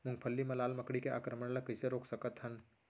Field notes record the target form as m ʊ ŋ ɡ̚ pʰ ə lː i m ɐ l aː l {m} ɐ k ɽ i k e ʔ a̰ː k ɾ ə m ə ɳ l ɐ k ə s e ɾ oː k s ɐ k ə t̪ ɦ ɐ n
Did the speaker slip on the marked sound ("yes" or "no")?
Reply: no